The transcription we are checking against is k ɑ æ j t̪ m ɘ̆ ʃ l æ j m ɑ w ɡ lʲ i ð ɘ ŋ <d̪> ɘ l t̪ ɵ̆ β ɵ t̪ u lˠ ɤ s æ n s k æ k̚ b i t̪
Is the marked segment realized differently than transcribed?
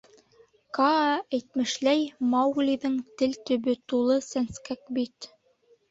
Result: yes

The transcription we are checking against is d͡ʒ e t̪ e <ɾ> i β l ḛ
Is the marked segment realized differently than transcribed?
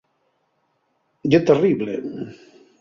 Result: yes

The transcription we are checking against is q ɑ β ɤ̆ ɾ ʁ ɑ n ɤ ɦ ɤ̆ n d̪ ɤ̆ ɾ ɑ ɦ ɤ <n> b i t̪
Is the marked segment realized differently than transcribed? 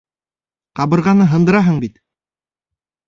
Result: yes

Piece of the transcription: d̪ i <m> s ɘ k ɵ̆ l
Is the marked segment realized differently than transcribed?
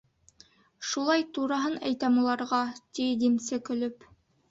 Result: no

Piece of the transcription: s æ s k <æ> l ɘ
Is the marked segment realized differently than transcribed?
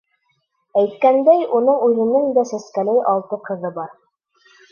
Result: no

